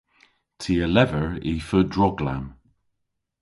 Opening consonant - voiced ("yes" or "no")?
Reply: no